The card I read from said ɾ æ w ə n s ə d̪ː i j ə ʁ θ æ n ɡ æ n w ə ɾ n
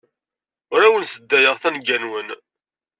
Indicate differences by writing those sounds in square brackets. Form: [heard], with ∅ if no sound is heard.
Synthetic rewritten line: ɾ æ w ə n s ə d̪ː [æ] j ə ʁ θ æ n ɡ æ n w ə [∅] n